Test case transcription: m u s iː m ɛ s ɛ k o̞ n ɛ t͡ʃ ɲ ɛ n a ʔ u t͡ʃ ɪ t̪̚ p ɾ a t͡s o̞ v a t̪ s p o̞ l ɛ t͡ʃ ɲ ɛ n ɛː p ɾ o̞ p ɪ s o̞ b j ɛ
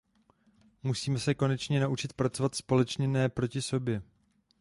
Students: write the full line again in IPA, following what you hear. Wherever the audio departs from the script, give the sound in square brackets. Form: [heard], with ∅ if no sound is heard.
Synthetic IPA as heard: m u s iː m ɛ s ɛ k o̞ n ɛ t͡ʃ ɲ ɛ n a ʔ u t͡ʃ ɪ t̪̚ p ɾ a t͡s o̞ v a t̪ s p o̞ l ɛ t͡ʃ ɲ ɛ n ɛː p ɾ o̞ [c] ɪ s o̞ b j ɛ